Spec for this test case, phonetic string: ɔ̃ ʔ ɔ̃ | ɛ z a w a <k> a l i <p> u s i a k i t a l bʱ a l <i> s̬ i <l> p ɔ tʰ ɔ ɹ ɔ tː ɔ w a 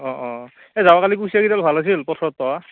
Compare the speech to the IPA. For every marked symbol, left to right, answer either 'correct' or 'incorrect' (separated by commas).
correct, incorrect, incorrect, correct